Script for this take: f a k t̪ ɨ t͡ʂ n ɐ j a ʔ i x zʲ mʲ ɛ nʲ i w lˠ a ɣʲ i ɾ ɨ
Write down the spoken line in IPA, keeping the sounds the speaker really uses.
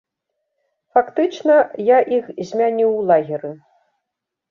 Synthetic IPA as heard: f a k t̪ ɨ t͡ʂ n ɐ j a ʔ i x zʲ mʲ a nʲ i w lˠ a ɣʲ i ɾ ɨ